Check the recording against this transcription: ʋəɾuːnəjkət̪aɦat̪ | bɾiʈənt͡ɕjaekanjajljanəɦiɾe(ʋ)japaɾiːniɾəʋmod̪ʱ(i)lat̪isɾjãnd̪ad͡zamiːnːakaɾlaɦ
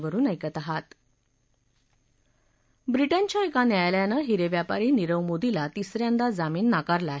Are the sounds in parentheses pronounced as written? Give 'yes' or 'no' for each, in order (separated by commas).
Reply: yes, yes